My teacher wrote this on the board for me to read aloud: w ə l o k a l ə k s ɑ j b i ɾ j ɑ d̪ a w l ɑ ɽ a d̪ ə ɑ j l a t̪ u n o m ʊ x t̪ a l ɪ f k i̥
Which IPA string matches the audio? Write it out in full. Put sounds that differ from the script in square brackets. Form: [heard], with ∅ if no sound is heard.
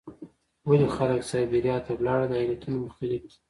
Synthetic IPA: w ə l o [x] a l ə k s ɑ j b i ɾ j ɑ [t̪] a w l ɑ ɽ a d̪ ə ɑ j l a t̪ u n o m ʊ x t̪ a l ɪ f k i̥

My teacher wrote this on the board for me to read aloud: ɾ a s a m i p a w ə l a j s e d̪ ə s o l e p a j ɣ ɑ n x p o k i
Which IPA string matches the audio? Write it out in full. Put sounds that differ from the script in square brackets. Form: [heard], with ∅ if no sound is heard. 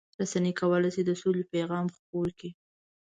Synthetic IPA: ɾ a s a [n] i [k] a w ə l a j s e d̪ ə s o l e p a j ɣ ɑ [m] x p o k i

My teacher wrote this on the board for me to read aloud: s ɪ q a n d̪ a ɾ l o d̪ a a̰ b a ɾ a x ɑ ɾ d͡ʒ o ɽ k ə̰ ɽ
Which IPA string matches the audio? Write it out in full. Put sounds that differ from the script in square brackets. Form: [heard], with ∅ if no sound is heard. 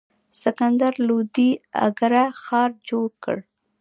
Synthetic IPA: s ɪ [k] a n d̪ a ɾ l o d̪ [i] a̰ [ɡ] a ɾ a x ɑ ɾ d͡ʒ o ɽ k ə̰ ɽ

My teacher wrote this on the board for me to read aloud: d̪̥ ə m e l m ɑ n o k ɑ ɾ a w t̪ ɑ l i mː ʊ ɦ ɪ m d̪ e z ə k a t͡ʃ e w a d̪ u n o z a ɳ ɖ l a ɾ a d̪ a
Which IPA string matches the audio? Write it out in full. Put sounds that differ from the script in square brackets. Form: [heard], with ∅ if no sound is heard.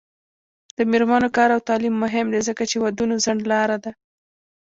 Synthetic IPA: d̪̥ ə m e [ɾ] m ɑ n o k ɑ ɾ a w t̪ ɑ l i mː ʊ ɦ ɪ m d̪ e z ə k a t͡ʃ e w a d̪ u n o z a ɳ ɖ l [ɑ] ɾ a d̪ a

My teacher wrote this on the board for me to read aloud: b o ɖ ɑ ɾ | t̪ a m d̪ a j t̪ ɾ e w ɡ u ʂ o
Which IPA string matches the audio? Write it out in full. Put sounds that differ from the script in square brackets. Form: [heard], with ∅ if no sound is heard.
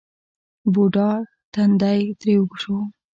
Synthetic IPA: b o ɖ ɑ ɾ | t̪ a [n] d̪ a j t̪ ɾ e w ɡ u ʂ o

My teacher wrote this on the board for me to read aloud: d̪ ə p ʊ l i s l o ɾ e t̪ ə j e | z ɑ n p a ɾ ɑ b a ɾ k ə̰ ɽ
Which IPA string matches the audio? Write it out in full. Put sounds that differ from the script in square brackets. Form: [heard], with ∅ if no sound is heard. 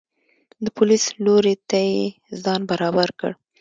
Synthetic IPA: d̪ ə p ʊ l i s l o ɾ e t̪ [a] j e | z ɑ n [b] a ɾ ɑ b a ɾ k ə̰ ɽ

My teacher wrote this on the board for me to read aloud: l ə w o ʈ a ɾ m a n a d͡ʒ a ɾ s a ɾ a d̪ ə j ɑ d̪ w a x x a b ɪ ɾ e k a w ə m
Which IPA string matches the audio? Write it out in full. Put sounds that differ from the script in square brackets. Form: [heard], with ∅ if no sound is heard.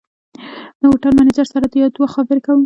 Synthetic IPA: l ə w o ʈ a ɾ m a n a d͡ʒ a ɾ s a ɾ a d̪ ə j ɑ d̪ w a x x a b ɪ ɾ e k a w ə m

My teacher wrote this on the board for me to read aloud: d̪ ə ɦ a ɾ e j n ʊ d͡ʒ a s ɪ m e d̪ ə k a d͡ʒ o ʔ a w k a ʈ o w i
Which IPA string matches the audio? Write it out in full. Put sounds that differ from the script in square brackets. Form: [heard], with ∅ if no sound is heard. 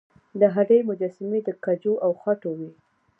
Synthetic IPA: d̪ ə ɦ a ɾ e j [m] ʊ d͡ʒ a s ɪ m e d̪ ə k a d͡ʒ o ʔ a w [x] a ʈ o w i

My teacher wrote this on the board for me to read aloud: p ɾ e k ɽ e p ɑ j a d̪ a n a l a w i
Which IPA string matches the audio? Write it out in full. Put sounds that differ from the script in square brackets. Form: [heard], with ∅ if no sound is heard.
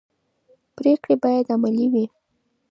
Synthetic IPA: p ɾ e k ɽ e [b] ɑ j a d̪ a [m] a l [i] w i

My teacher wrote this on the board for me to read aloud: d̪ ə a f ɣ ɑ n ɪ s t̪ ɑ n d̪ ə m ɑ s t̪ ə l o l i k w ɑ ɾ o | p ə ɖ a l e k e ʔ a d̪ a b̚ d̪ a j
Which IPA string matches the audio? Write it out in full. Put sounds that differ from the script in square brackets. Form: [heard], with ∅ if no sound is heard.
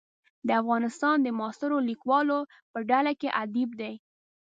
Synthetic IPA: d̪ ə a f ɣ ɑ n ɪ s t̪ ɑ n d̪ ə m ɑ s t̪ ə [ɾ] o l i k w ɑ [l] o | p ə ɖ a l [a] k e ʔ a d̪ [i] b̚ d̪ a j

